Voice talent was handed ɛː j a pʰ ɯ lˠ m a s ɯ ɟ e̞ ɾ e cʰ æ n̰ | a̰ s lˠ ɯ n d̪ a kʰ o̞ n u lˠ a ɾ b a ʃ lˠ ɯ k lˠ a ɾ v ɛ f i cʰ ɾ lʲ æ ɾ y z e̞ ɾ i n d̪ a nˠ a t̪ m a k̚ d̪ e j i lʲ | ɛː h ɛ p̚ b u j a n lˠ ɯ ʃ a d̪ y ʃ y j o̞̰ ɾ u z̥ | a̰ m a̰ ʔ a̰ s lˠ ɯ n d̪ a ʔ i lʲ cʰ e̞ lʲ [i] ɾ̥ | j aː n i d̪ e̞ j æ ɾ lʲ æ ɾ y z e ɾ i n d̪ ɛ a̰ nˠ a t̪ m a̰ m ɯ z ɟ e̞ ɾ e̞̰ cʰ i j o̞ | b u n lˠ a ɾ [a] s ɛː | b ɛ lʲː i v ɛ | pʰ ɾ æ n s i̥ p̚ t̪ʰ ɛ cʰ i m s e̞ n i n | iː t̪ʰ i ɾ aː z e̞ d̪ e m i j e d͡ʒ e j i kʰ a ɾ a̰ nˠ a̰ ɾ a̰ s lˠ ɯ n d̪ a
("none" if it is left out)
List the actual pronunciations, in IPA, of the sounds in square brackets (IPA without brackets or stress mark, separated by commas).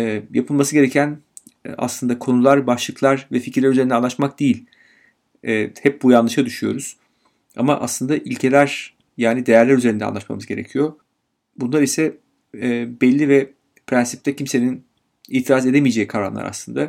æ, i